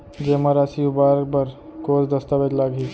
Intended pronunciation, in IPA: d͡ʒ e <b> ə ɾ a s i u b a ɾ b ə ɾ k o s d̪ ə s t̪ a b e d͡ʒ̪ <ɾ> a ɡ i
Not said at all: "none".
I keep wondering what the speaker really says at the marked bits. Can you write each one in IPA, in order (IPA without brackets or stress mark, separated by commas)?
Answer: m, l